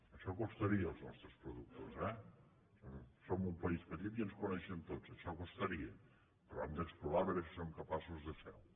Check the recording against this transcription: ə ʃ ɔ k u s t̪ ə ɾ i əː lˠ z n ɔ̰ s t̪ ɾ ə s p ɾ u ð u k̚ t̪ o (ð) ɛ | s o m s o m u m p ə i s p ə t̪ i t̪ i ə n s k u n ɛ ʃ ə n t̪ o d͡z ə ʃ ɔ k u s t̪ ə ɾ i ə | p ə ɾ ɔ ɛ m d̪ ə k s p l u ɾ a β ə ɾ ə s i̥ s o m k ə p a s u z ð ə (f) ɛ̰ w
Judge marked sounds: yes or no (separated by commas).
no, yes